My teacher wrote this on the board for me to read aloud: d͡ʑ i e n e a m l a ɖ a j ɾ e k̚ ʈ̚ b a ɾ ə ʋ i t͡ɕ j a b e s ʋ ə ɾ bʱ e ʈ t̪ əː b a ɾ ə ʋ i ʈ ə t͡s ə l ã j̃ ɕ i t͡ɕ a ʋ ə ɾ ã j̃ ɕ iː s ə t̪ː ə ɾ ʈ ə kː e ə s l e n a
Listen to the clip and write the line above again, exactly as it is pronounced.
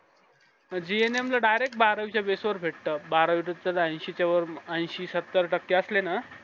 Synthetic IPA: d͡ʑ i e n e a m l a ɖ a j ɾ e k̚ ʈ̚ b a ɾ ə ʋ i t͡ɕ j a b e s ʋ ə ɾ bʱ e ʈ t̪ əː b a ɾ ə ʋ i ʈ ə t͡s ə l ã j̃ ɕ i t͡ɕ a ʋ ə ɾ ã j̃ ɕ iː s ə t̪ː ə ɾ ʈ ə kː e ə s l e n a